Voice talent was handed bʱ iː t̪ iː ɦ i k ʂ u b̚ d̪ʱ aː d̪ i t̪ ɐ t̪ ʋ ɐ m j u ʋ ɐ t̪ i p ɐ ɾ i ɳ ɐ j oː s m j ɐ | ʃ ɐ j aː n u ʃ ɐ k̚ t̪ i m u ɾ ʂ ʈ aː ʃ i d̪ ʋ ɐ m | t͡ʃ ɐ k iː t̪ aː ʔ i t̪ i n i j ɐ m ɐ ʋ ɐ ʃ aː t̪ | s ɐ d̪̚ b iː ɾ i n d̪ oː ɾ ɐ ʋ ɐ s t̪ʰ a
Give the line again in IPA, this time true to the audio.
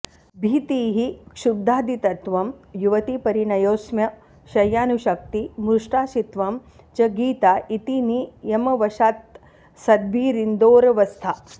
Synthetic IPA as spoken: bʱ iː t̪ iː ɦ i k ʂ u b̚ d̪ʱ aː d̪ i t̪ ɐ t̪ ʋ ɐ m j u ʋ ɐ t̪ i p ɐ ɾ i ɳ ɐ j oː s m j ɐ | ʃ ɐ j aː n u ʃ ɐ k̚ t̪ i m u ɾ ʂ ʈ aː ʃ i t̪ ʋ ɐ m | t͡ʃ ɐ ɡ iː t̪ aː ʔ i t̪ i n i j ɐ m ɐ ʋ ɐ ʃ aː t̪ | s ɐ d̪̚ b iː ɾ i n d̪ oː ɾ ɐ ʋ ɐ s t̪ʰ a

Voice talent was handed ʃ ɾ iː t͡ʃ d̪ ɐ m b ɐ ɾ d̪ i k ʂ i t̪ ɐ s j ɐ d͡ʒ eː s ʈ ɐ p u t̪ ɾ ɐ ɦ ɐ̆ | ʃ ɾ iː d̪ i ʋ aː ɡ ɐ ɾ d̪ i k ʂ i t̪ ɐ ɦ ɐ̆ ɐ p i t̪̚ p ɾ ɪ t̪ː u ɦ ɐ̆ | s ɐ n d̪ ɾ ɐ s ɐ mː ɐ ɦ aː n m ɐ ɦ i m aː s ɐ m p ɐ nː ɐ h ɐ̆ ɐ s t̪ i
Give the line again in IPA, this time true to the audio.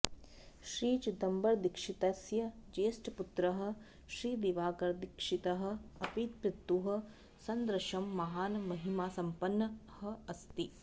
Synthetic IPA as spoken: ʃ ɾ iː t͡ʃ d̪ ɐ m b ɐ ɾ d̪ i k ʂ i t̪ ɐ s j ɐ d͡ʒ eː s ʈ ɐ p u t̪ ɾ ɐ ɦ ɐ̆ | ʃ ɾ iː d̪ i ʋ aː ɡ ɐ ɾ d̪ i k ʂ i t̪ ɐ ɦ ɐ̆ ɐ p i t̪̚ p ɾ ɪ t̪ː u ɦ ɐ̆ | s ɐ n d̪ ɾ ɐ ʃ ɐ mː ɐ ɦ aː n m ɐ ɦ i m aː s ɐ m p ɐ nː ɐ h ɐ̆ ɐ s t̪ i

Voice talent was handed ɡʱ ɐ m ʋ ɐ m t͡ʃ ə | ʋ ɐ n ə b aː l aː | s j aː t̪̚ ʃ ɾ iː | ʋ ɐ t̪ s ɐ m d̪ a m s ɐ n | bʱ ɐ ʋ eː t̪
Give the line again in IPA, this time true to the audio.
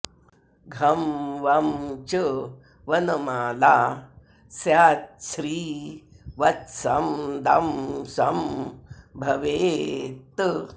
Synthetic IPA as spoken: ɡʱ ɐ m ʋ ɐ m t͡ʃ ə | ʋ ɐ n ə m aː l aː | s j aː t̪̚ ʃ ɾ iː | ʋ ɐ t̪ s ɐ m d̪ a m s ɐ m | bʱ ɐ ʋ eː t̪

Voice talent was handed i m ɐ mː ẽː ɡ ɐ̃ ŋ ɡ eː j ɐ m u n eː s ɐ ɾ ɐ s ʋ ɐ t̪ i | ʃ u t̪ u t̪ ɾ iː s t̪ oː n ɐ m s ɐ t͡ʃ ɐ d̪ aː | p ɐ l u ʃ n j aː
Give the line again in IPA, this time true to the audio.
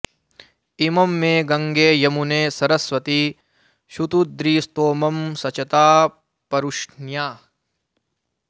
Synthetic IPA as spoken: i m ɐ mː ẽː ɡ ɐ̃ ŋ ɡ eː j ɐ m u n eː s ɐ ɾ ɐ s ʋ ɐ t̪ i | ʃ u t̪ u d̪ ɾ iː s t̪ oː m ɐ m s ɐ t͡ʃ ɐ t̪ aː | p ɐ ɾ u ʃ n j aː

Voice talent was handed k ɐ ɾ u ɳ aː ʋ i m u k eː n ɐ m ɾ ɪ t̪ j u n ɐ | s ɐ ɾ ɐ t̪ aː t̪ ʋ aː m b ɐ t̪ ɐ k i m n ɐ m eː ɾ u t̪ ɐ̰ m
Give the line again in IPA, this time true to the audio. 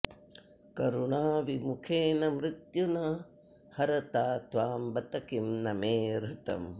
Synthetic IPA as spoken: k ɐ ɾ u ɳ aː ʋ i m u kʰ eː n ɐ m ɾ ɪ t̪ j u n ɐ | h ɐ ɾ ɐ t̪ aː t̪ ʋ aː m b ɐ t̪ ɐ k i m n ɐ m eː ɾ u t̪ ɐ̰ m

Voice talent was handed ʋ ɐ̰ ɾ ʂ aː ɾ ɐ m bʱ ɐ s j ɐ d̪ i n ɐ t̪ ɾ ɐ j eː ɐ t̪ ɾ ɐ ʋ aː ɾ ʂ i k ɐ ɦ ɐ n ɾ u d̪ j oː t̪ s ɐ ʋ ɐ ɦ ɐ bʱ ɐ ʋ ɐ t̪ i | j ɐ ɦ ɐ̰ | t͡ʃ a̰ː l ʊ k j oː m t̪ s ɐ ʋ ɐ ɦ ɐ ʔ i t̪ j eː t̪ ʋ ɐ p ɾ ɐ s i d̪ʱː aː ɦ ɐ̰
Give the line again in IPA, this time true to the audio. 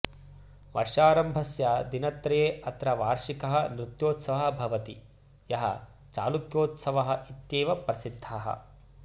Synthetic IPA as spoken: ʋ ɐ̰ ɾ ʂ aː ɾ ɐ m bʱ ɐ s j ɐ d̪ i n ɐ t̪ ɾ ɐ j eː ɐ t̪ ɾ ɐ ʋ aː ɾ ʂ i k ɐ ɦ ɐ n ɾ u t̪ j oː t̪ s ɐ ʋ ɐ ɦ ɐ bʱ ɐ ʋ ɐ t̪ i | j ɐ ɦ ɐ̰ | t͡ʃ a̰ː l u k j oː t̪ s ɐ ʋ ɐ ɦ ɐ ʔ i t̪ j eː ʋ ɐ p ɾ ɐ s i d̪ʱː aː ɦ ɐ̰

